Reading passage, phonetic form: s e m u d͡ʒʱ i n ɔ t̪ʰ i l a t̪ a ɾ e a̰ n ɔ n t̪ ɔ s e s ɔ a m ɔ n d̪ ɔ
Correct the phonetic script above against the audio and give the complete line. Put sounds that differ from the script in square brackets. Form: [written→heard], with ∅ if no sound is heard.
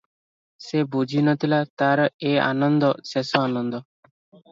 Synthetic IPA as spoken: s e [m→b] u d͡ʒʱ i n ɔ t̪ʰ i l a t̪ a ɾ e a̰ n ɔ n [t̪→d̪] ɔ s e s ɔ a [m→n] ɔ n d̪ ɔ